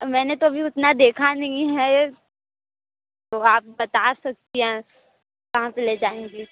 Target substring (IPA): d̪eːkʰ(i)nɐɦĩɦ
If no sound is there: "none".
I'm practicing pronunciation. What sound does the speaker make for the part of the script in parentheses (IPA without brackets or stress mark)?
a